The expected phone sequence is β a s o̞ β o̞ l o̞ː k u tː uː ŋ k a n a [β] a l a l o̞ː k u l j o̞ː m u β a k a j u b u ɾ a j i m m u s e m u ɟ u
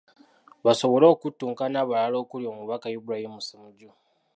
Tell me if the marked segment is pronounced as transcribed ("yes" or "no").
yes